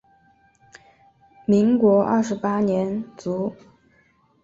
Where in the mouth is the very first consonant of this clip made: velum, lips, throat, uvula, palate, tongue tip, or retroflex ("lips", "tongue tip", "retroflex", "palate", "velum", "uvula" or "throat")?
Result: lips